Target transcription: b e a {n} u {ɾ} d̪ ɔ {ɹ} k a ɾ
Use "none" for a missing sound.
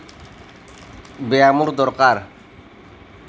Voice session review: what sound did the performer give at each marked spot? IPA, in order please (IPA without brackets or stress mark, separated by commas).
m, ɾ, ɾ